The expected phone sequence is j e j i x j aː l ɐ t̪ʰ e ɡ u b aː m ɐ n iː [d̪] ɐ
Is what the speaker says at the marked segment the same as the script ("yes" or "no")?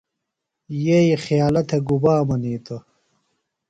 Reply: no